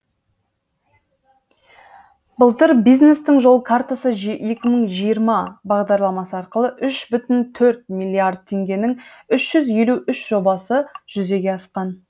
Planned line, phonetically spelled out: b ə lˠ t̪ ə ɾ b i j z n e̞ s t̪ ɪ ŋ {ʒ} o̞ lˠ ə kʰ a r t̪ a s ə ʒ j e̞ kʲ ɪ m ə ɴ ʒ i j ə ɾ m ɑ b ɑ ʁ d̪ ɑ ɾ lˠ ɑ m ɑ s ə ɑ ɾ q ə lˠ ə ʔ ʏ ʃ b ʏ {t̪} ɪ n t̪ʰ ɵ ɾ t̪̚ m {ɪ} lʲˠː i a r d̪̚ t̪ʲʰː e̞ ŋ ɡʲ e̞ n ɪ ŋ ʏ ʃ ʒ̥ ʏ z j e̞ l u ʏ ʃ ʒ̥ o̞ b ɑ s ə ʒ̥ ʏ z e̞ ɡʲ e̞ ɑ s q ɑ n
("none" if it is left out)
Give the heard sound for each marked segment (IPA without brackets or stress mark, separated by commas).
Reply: ʒ, t̪, i